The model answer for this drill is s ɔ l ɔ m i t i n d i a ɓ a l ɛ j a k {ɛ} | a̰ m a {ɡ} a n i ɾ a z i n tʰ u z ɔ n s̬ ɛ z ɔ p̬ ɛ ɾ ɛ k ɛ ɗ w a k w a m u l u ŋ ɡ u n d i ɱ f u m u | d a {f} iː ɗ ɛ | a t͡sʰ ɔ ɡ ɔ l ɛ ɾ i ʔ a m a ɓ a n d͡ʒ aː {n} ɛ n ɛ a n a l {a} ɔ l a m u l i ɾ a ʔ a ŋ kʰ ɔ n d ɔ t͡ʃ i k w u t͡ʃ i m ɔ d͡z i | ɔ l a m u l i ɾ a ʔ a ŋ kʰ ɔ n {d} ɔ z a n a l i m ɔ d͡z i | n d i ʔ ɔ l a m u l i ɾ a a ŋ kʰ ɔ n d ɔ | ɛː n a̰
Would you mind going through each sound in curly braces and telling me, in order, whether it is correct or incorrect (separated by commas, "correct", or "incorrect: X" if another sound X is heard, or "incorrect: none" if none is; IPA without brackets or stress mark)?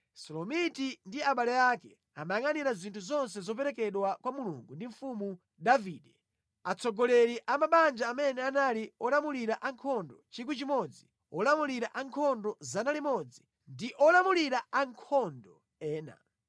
correct, incorrect: ŋ, incorrect: v, incorrect: m, incorrect: i, correct